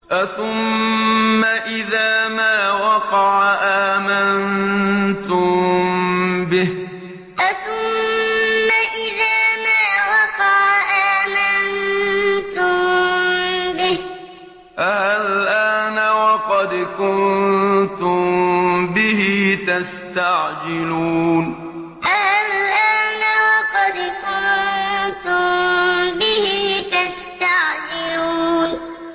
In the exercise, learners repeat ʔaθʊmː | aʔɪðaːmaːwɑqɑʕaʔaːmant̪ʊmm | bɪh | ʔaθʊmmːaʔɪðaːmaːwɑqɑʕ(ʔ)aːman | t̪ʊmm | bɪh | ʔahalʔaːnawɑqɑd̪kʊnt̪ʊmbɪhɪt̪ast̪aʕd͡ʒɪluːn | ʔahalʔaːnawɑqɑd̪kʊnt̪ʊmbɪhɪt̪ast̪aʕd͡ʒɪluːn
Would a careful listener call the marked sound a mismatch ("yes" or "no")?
no